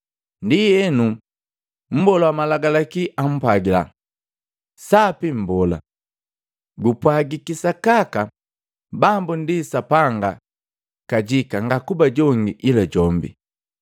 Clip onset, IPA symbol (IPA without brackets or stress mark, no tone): n